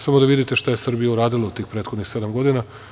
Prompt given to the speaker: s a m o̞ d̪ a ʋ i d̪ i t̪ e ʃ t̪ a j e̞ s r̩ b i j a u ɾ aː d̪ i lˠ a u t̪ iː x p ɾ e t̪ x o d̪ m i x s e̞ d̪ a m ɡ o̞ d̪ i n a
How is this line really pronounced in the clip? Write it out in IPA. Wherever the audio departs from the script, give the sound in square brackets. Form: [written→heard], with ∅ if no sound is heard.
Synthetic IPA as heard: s a m o̞ d̪ a ʋ i d̪ i t̪ e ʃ t̪ a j e̞ s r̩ b i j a u ɾ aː d̪ i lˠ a u t̪ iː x p ɾ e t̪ x o d̪ [m→n] i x s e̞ d̪ a m ɡ o̞ d̪ i n a